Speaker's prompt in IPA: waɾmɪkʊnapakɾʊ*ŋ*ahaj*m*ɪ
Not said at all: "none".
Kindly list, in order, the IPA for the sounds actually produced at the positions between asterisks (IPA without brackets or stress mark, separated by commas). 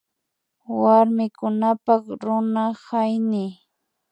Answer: n, n